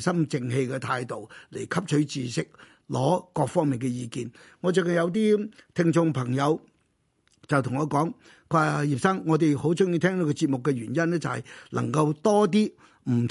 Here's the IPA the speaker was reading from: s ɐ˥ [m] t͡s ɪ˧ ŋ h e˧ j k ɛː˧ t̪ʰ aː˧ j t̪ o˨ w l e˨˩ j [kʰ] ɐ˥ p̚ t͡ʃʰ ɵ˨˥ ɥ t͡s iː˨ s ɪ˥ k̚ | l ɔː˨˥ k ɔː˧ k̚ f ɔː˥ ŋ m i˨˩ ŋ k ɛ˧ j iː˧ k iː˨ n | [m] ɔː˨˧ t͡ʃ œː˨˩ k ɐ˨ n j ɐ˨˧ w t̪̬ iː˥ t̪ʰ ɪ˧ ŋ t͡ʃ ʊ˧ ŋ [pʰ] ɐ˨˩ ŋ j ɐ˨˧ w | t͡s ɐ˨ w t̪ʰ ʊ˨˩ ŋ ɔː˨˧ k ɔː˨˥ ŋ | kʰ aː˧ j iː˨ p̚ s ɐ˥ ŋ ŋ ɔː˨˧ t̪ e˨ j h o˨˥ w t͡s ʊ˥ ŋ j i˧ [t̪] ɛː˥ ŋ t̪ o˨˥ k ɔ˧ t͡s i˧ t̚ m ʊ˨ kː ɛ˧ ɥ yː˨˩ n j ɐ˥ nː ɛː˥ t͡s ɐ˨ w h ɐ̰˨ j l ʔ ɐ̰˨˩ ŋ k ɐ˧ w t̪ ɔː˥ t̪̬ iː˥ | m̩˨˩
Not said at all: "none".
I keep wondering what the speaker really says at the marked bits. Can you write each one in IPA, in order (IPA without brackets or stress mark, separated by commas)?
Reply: m, kʰ, ŋ, pʰ, t̪ʰ